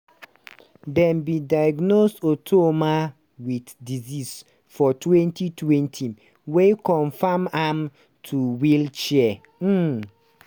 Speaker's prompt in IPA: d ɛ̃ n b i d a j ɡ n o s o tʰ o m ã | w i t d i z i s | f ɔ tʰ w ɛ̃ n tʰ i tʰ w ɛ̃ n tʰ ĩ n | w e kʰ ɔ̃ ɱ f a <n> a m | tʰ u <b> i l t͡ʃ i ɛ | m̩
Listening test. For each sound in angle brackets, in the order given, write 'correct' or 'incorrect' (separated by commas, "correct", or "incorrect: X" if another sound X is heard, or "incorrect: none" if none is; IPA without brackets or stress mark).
incorrect: m, incorrect: w